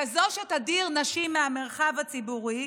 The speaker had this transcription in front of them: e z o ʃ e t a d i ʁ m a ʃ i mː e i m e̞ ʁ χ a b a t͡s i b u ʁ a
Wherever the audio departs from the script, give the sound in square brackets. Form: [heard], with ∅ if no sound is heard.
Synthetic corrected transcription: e z o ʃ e t a d i ʁ [n] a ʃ i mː e [a] m e̞ ʁ χ a [v] a t͡s i b u ʁ [i]